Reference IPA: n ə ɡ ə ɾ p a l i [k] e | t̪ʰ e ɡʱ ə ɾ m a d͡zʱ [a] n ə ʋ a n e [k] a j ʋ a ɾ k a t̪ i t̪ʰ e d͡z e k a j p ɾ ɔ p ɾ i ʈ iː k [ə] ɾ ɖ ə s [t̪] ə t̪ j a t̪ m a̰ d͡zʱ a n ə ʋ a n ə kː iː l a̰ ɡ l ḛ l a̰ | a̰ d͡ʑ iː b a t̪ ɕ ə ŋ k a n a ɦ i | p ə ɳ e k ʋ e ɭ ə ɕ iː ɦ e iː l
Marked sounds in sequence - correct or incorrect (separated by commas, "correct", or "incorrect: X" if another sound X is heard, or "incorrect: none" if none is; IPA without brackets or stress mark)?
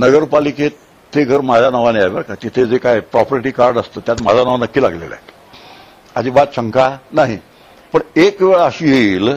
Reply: correct, correct, incorrect: none, incorrect: a, correct